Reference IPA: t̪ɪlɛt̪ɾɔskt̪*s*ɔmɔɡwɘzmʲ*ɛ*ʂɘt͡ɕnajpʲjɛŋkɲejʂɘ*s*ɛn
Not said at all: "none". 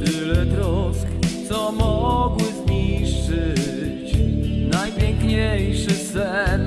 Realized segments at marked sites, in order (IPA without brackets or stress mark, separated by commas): s, i, s